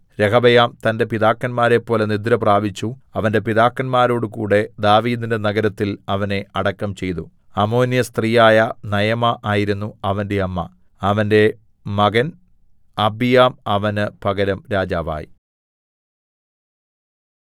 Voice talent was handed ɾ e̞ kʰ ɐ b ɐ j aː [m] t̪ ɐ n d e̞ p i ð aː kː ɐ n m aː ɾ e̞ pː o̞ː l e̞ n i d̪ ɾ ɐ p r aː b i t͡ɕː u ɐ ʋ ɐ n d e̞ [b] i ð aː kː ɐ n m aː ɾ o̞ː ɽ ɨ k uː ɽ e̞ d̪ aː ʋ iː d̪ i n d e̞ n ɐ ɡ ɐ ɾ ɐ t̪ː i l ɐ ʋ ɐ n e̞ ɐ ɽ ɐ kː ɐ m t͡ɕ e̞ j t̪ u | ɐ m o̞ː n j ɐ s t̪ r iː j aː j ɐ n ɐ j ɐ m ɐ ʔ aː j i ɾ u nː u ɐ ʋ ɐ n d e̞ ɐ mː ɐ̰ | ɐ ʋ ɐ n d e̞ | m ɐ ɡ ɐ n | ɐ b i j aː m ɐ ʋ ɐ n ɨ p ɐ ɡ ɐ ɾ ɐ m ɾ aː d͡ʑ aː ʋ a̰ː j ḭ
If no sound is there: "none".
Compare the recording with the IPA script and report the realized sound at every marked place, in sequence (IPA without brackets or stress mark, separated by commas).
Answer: m, p